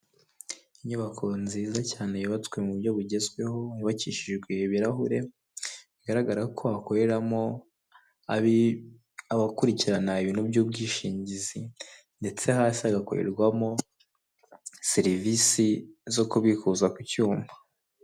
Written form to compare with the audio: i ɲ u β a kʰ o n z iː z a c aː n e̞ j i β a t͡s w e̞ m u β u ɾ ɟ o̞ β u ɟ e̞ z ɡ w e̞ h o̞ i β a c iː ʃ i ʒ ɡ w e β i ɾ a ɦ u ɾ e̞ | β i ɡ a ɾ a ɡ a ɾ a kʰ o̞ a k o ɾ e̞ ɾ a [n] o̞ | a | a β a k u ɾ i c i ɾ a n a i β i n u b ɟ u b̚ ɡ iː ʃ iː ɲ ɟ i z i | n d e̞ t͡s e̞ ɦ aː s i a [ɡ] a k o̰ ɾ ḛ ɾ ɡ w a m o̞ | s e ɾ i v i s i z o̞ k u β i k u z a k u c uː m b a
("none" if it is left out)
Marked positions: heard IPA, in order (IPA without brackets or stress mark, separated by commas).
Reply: m, ɡ